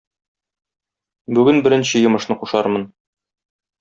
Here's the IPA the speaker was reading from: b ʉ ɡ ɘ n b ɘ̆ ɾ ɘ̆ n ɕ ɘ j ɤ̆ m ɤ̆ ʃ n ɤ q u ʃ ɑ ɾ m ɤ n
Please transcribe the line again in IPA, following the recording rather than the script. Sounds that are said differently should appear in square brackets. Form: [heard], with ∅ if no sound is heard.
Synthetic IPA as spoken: b ʉ ɡ ɘ n b ɘ̆ ɾ ɘ̆ n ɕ ɘ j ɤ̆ m ɤ̆ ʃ n ɤ q u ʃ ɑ ɾ m ɤ n